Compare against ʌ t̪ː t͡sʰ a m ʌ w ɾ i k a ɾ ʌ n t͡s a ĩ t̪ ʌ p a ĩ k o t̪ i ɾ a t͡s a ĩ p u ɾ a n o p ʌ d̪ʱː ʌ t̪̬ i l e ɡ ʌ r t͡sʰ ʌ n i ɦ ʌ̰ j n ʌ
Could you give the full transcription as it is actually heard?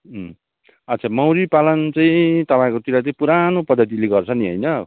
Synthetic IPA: ʌ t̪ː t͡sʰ a m ʌ w ɾ i p a l ʌ n t͡s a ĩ t̪ ʌ p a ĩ k o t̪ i ɾ a t͡s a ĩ p u ɾ a n o p ʌ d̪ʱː ʌ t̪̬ i l e ɡ ʌ r t͡sʰ ʌ n i ɦ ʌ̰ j n ʌ